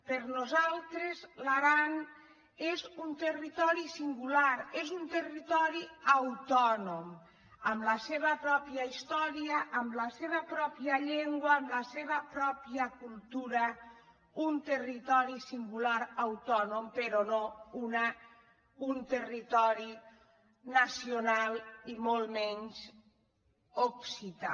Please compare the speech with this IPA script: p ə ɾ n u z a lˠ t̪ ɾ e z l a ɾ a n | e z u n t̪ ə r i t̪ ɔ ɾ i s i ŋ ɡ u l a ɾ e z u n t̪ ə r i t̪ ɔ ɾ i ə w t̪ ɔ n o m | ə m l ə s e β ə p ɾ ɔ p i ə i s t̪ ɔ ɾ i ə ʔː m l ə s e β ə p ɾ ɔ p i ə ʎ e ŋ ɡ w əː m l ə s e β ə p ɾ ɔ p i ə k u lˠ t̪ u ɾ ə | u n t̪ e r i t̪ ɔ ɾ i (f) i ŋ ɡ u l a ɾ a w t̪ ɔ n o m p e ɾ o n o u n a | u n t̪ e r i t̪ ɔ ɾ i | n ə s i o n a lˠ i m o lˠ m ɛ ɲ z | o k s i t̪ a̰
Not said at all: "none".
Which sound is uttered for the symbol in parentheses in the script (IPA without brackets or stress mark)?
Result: s